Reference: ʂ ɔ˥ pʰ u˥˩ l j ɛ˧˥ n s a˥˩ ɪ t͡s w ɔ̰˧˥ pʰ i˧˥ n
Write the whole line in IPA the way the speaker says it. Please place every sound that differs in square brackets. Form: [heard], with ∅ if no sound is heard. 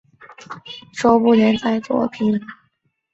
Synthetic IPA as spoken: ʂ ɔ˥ [p] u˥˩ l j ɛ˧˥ n [t͡s] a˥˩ ɪ t͡s w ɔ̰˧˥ pʰ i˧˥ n